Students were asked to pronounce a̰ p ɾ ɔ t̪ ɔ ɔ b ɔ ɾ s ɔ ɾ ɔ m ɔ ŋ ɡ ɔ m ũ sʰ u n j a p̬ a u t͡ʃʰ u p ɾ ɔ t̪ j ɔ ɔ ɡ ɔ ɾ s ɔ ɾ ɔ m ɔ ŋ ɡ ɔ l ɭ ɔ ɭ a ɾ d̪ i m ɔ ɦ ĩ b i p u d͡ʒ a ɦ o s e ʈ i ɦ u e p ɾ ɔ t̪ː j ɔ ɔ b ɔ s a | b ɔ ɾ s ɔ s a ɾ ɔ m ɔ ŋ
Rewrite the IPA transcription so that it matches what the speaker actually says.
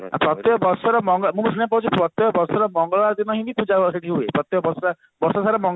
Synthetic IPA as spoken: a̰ p ɾ ɔ t̪ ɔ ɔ b ɔ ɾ s ɔ ɾ ɔ m ɔ ŋ ɡ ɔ m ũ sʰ u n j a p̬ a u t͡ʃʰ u p ɾ ɔ t̪ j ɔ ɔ b ɔ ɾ s ɔ ɾ ɔ m ɔ ŋ ɡ ɔ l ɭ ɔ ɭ a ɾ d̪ i n ɔ ɦ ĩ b i p u d͡ʒ a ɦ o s e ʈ i ɦ u e p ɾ ɔ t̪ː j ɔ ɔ b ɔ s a | b ɔ ɾ s ɔ s a ɾ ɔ m ɔ ŋ

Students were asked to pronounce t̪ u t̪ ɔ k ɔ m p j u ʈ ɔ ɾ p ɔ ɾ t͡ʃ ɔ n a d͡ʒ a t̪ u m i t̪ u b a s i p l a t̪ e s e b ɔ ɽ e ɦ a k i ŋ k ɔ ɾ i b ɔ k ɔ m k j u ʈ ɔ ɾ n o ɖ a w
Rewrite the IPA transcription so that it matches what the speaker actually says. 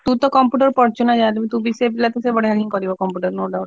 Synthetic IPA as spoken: t̪ u t̪ ɔ k ɔ m p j u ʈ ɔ ɾ p ɔ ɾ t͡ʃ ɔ n a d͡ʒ a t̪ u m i t̪ u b i s e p l a t̪ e s e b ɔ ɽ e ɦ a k i ŋ k ɔ ɾ i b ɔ k ɔ m p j u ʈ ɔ ɾ n o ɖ a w

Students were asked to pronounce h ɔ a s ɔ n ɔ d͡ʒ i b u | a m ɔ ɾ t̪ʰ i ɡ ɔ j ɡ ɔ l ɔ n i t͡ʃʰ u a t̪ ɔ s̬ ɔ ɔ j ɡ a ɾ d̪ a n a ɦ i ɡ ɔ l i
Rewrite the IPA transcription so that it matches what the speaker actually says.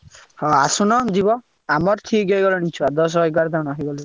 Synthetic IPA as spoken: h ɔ a s u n ɔ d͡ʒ i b ɔ | a m ɔ ɾ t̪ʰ i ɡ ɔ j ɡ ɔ l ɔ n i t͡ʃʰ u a d̪ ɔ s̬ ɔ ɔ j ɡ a ɾ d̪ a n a ɦ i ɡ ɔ l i

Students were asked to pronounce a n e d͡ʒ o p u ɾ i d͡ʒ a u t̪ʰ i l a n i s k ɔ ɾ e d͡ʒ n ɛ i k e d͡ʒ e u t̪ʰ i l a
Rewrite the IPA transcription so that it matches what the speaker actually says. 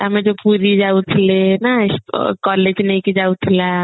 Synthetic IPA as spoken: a m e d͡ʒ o p u ɾ i d͡ʒ a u t̪ʰ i l e n a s k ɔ l e d͡ʒ n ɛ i k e d͡ʒ a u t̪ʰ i l a

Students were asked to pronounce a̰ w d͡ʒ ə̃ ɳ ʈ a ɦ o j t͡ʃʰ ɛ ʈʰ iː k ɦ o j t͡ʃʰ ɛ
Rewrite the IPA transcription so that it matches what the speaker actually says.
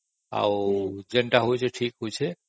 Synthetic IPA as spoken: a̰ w d͡ʒ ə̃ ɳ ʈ a ɦ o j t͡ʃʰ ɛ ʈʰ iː k ɦ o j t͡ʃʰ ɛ

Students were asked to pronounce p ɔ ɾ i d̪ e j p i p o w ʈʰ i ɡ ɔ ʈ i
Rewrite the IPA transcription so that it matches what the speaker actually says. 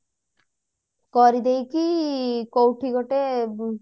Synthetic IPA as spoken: k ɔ ɾ i d̪ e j k i k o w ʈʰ i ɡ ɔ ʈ e

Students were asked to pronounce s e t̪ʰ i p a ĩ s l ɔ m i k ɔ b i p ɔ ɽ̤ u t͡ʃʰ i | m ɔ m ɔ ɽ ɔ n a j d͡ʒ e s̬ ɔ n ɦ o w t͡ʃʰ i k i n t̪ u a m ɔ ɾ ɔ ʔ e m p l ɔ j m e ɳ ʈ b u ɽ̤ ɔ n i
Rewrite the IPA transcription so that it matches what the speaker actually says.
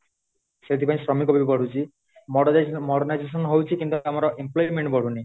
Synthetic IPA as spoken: s e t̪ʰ i p a ĩ s ɾ ɔ m i k ɔ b i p ɔ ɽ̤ u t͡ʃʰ i | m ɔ m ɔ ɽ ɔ n a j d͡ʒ e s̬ ɔ n ɦ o w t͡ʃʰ i k i n t̪ u a m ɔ ɾ ɔ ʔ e m p l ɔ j m e ɳ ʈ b ɔ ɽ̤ u n i

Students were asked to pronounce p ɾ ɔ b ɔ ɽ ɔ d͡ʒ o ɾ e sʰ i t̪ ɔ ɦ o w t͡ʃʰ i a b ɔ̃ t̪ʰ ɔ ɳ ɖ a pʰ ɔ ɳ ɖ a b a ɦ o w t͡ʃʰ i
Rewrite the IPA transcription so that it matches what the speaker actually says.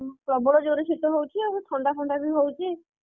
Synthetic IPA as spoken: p ɾ ɔ b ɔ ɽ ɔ d͡ʒ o ɾ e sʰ i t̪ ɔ ɦ o w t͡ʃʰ i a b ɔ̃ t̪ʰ ɔ ɳ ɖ a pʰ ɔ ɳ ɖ a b i ɦ o w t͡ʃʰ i

